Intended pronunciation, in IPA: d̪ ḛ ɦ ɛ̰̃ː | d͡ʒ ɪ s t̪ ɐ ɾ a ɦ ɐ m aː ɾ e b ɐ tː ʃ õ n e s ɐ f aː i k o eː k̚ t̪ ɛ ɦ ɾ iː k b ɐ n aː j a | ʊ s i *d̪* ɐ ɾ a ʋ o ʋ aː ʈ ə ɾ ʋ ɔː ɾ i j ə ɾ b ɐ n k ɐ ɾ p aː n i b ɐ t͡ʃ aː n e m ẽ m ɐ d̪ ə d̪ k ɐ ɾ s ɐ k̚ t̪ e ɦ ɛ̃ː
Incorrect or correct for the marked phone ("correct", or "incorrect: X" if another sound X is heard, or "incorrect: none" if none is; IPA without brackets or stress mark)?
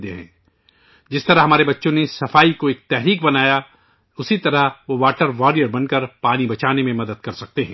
incorrect: t̪